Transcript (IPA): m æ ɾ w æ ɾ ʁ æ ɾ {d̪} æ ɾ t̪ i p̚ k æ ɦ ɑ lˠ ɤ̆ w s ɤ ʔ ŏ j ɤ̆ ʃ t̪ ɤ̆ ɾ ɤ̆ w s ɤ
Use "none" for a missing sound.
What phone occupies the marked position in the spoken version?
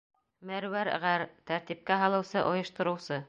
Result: t̪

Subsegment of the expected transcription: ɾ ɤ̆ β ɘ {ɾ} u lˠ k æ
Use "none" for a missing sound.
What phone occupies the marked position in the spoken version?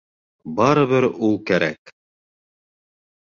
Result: ɾ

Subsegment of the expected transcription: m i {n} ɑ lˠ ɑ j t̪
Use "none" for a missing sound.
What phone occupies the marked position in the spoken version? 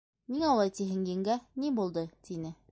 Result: ŋ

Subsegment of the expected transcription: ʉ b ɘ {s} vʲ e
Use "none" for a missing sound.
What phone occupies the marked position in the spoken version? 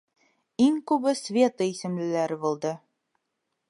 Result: s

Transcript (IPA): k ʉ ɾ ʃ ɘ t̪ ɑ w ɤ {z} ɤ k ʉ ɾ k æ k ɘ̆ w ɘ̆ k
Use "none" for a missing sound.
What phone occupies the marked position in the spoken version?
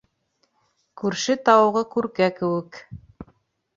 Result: ʁ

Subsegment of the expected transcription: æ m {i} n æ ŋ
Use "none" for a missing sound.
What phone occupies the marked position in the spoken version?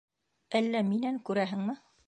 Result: i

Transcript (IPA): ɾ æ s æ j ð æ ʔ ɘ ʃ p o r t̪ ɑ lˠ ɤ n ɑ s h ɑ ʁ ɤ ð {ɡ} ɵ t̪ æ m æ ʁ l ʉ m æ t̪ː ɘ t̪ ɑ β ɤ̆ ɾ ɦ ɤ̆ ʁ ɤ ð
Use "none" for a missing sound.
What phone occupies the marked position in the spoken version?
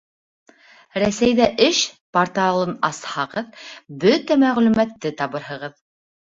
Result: b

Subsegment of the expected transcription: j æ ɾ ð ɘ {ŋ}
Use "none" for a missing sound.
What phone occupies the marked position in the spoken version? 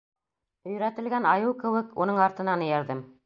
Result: m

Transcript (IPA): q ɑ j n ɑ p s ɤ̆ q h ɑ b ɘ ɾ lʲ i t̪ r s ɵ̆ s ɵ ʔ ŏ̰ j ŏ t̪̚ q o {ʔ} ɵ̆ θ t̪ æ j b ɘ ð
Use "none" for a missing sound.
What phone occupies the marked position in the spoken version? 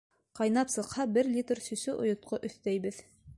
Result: ʔ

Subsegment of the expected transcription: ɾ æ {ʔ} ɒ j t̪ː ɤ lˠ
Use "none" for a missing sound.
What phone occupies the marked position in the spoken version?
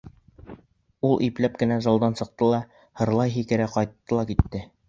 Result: q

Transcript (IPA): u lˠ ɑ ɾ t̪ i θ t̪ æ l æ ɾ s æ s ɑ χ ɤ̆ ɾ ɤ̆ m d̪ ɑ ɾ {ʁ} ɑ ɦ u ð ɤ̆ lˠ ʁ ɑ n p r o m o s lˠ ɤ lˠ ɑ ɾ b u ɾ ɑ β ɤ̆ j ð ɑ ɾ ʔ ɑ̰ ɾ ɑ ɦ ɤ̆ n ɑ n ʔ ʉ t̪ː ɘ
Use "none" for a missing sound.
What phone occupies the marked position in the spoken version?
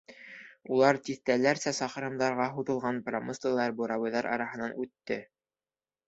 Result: ʁ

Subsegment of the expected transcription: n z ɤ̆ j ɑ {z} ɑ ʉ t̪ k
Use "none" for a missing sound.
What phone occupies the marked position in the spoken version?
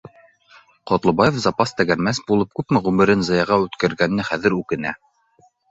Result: ʁ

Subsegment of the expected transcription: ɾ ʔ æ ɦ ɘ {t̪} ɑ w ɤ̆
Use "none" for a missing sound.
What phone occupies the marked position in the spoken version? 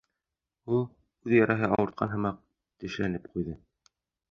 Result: none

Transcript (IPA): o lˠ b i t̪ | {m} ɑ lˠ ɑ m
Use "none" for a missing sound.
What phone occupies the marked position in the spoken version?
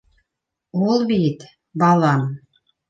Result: b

